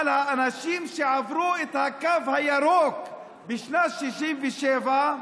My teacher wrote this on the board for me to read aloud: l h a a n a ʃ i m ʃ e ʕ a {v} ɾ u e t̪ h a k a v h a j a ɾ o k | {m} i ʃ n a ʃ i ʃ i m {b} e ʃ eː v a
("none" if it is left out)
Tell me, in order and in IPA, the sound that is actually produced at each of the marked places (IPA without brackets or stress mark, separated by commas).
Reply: v, b, v